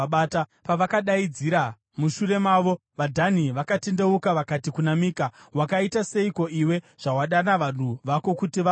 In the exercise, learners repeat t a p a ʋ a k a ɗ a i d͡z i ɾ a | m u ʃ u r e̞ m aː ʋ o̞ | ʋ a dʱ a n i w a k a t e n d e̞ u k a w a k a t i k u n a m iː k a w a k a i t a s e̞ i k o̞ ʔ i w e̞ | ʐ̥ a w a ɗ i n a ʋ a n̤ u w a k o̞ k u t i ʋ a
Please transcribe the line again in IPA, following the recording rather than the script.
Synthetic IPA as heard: t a p a ʋ a k a ɗ a i d͡z i ɾ a | m u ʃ u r e̞ m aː ʋ o̞ | ʋ a dʱ a n i ʋ a k a t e n d e̞ u k a ʋ a k a t i k u n a m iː k a w a k a i t a s e̞ i k o̞ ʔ i w e̞ | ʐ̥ a w a ɗ a n a ʋ a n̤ u ʋ a k o̞ k u t i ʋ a

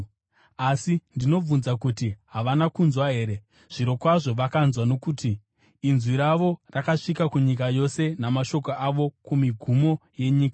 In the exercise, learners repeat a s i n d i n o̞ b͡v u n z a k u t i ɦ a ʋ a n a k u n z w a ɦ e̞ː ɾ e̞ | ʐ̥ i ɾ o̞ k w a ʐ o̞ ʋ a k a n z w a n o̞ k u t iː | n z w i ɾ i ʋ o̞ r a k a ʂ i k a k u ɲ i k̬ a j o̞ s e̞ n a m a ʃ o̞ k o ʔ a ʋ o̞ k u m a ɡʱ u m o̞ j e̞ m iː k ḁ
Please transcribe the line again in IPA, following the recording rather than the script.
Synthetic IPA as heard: a s i n d i n o̞ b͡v u n z a k u t i ɦ a ʋ a n a k u n z w a ɦ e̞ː ɾ e̞ | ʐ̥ i ɾ o̞ k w a ʐ o̞ ʋ a k a n z w a n o̞ k u t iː | n z w i ɾ a ʋ o̞ r a k a ʂ i k a k u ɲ i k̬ a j o̞ s e̞ n a m a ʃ o̞ k o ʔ a ʋ o̞ k u m i ɡʱ u m o̞ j e̞ ɲ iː k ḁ

